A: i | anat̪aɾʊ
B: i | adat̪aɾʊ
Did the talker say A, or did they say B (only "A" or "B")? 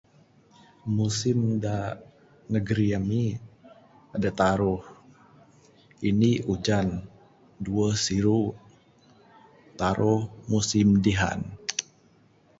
B